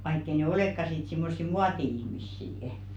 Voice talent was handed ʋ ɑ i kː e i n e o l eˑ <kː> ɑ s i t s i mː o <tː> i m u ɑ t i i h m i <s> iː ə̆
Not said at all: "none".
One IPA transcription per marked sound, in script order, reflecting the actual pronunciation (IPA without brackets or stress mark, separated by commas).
kː, sː, sː